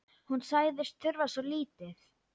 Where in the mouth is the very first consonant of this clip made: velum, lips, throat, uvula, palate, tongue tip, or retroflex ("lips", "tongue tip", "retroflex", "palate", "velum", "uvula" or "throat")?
throat